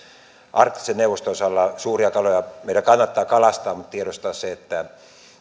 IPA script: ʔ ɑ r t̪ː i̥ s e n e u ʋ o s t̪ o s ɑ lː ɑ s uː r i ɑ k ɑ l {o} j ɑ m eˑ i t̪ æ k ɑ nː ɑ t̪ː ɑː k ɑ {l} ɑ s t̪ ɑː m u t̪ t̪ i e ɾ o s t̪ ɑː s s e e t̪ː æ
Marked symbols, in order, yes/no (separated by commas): yes, yes